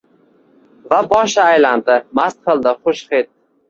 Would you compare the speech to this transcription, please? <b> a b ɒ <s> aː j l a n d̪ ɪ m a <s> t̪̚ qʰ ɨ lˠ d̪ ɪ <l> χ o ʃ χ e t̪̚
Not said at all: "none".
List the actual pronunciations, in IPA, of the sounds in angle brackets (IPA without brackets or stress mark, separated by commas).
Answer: v, ʃ, s, none